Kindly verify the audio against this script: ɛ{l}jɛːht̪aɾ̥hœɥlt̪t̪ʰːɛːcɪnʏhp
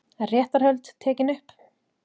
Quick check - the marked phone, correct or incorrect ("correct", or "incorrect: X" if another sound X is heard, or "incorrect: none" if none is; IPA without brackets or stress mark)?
incorrect: r